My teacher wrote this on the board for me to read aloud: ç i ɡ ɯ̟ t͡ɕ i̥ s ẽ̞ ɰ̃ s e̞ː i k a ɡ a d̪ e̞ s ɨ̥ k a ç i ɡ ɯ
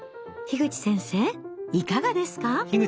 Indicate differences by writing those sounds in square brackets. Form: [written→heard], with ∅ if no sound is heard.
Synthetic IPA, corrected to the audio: ç i ɡ ɯ̟ t͡ɕ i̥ s ẽ̞ ɰ̃ s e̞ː i k a ɡ a d̪ e̞ s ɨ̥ k a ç i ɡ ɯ